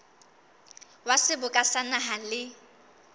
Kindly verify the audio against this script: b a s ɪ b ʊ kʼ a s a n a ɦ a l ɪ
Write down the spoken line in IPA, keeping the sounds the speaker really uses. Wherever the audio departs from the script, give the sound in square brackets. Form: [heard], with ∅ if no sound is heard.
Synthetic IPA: [w] a s ɪ b ʊ kʼ a s a n a ɦ a l ɪ